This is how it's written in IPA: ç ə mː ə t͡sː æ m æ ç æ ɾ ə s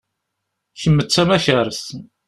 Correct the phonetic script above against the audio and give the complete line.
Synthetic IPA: ç ə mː ə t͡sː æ m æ ç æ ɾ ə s

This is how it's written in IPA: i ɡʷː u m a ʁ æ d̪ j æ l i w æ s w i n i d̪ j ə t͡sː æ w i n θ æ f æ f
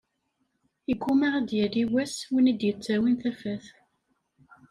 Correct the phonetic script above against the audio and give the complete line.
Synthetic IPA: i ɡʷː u m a ʁ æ d̪ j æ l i w æ s w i n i d̪ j ə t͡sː æ w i n θ æ f æ θ

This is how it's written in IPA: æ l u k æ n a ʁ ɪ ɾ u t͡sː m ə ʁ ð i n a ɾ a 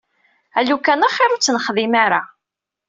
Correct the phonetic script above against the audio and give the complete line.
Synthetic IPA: æ l u k æ n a χ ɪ ɾ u t͡sː n ə χ ð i m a ɾ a

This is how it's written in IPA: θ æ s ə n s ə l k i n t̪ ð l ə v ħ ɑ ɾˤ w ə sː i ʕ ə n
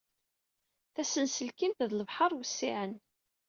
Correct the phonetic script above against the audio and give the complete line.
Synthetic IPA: θ æ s ə n s ə l k i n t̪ ð l ə v ħ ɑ ɾˤ w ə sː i ʕ ə n

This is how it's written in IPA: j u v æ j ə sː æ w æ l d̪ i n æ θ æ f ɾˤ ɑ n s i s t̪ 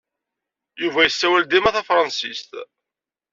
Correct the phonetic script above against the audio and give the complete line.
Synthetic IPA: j u v æ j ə sː æ w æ l d̪ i m æ θ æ f ɾˤ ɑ n s i s t̪

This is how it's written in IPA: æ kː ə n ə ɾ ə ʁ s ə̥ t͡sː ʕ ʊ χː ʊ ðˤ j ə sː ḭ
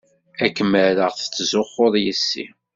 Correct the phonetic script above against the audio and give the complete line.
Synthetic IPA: æ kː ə m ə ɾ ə ʁ θ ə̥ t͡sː z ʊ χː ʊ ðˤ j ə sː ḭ

